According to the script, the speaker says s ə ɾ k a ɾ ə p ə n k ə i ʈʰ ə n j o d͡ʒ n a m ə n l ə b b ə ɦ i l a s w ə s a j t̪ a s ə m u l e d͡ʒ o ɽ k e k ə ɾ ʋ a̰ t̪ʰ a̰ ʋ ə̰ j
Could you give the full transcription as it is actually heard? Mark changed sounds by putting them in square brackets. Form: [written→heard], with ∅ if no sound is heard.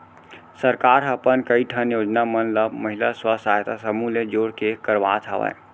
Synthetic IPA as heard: s ə ɾ k a ɾ ə p ə n k ə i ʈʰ ə n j o d͡ʒ n a m ə n l ə b [b→m] ə ɦ i l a s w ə s a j t̪ a s ə m u l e d͡ʒ o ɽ k e k ə ɾ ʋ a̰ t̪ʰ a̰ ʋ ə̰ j